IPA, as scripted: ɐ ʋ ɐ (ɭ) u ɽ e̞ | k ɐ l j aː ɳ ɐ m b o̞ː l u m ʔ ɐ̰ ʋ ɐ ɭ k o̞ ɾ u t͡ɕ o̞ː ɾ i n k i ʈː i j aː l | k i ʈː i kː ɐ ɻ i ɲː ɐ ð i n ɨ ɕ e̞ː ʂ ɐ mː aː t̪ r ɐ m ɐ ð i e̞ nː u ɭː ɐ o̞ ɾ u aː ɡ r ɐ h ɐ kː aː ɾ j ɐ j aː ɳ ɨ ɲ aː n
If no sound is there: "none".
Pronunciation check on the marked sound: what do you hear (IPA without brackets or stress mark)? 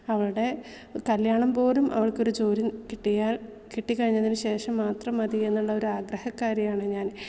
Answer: ɭ